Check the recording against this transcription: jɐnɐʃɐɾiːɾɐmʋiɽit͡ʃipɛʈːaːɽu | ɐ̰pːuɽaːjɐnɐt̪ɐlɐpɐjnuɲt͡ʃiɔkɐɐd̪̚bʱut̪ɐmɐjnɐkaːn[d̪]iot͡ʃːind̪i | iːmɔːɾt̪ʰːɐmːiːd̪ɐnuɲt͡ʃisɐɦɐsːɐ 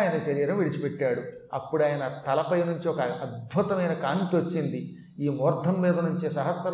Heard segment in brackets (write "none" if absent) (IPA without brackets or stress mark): t̪